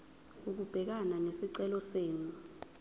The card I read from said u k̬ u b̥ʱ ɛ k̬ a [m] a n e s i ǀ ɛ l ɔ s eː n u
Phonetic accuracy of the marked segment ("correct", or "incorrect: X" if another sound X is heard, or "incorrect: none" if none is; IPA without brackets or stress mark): incorrect: n